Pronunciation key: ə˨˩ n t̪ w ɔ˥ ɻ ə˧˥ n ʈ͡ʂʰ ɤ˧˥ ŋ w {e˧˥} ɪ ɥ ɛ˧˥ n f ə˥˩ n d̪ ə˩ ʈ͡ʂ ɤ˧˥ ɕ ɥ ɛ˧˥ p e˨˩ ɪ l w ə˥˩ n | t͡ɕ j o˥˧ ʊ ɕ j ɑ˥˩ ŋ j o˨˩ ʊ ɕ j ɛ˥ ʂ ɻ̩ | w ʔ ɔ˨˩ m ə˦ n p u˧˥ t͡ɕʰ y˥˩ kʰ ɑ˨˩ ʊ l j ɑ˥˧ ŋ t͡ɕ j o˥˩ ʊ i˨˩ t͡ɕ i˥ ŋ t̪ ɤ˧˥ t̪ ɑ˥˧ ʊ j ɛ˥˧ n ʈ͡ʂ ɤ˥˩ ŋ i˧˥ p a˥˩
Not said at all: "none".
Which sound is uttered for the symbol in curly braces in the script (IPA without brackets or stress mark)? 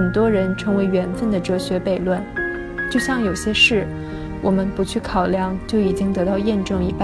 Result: e˧˥